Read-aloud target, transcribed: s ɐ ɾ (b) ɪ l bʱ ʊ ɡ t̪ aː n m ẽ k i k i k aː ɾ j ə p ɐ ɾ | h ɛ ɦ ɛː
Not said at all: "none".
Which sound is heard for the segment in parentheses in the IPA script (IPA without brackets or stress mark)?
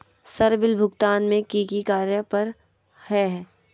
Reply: b